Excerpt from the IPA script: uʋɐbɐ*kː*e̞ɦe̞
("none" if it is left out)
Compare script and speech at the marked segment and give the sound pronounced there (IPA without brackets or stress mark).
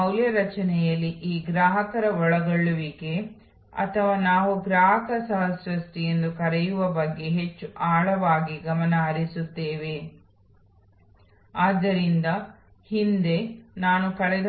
ɡː